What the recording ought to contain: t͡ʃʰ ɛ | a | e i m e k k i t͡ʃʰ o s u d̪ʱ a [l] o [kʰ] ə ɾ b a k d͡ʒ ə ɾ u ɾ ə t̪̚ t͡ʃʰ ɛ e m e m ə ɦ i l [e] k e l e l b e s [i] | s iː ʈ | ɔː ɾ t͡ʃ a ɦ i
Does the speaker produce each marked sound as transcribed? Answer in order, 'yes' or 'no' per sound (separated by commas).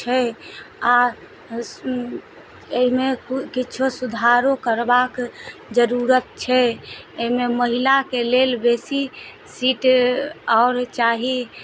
no, no, no, yes